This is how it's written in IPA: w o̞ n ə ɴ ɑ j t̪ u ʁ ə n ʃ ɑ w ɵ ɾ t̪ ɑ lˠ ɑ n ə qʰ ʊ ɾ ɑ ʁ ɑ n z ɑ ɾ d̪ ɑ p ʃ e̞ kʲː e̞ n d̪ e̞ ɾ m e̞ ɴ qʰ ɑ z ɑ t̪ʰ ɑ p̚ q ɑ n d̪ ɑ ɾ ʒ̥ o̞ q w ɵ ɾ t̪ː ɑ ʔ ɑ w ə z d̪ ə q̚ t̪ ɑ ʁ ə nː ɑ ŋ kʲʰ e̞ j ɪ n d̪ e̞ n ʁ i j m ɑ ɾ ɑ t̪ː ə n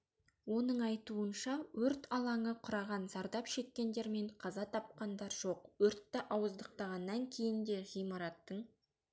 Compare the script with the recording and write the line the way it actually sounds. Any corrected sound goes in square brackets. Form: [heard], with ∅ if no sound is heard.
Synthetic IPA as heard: w o̞ n ə ɴ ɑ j t̪ u [∅] ə n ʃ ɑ w ɵ ɾ t̪ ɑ lˠ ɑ [ɴ] ə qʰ ʊ ɾ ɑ ʁ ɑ n z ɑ ɾ d̪ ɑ p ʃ e̞ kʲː e̞ n d̪ e̞ ɾ m e̞ ɴ qʰ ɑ z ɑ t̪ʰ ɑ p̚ q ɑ n d̪ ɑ ɾ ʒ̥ o̞ q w ɵ ɾ t̪ː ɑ ʔ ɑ w ə z d̪ ə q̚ t̪ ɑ ʁ [ɑ] nː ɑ ŋ kʲʰ e̞ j ɪ n d̪ e̞ [∅] ʁ i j m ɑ ɾ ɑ t̪ː ə [ɴ]